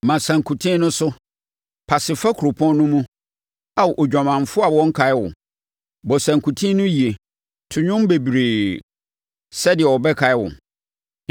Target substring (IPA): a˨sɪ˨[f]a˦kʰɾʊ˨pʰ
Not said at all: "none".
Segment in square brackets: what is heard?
f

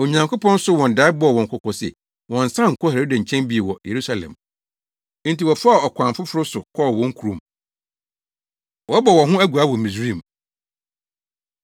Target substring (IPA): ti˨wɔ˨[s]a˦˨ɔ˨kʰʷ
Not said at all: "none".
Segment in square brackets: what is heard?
f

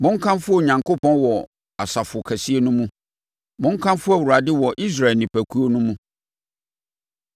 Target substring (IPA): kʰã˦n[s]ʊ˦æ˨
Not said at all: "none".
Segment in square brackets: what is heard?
f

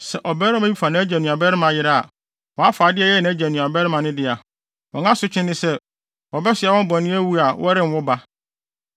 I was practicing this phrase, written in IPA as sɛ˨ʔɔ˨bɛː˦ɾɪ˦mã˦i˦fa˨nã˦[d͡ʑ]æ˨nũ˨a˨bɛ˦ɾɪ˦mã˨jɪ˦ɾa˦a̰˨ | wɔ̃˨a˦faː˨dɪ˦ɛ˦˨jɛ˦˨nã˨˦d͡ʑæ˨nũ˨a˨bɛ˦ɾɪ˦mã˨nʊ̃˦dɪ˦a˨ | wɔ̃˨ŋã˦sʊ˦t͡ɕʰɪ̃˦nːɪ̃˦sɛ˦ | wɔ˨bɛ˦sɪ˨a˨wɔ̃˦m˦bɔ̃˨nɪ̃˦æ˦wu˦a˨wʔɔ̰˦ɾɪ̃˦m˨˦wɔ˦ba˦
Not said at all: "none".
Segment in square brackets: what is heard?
d͡ʑ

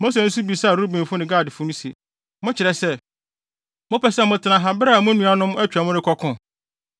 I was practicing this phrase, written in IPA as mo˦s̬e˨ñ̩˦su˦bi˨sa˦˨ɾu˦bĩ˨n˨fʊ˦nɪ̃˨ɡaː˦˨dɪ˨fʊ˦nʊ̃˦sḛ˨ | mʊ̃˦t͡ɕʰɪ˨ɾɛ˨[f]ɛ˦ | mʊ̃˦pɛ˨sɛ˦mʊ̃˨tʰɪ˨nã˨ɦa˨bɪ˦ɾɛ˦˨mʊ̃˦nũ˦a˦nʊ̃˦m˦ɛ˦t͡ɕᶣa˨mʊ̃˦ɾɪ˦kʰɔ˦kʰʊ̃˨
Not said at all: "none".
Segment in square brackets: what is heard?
s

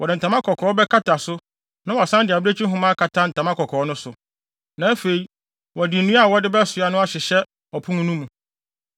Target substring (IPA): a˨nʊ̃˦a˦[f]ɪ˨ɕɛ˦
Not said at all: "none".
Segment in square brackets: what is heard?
ɕ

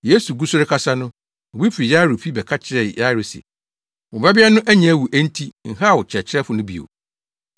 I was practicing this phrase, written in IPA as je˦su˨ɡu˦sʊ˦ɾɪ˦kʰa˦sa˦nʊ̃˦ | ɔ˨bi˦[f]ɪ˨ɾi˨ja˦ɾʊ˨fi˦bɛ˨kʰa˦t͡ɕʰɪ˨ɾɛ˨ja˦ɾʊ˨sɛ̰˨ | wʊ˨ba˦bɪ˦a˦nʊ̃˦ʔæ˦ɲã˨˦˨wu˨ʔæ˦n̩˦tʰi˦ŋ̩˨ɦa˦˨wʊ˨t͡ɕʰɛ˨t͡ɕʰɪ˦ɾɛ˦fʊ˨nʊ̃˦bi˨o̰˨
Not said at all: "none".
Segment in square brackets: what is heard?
f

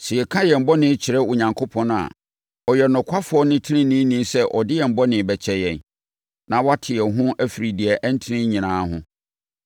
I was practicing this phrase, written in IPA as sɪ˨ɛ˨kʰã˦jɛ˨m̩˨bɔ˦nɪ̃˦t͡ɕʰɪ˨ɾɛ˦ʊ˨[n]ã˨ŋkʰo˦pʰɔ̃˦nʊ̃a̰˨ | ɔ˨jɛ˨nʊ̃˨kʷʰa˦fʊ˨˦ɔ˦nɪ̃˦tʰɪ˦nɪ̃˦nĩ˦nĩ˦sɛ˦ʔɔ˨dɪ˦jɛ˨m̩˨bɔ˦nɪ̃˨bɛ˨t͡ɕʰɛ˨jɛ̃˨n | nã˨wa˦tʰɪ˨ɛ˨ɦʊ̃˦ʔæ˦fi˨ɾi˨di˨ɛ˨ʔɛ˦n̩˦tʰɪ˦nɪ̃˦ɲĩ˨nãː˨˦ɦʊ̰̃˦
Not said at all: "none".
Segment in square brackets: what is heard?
ɲ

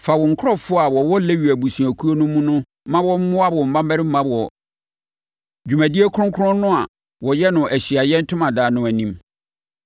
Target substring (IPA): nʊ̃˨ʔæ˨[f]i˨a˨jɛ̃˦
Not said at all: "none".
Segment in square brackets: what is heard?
ɕ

